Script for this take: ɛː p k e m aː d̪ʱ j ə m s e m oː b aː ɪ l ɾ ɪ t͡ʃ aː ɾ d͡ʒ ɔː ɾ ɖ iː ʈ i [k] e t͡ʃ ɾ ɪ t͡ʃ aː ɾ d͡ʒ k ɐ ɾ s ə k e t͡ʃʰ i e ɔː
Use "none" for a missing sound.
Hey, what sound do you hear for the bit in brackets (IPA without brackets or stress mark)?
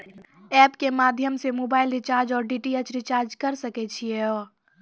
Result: none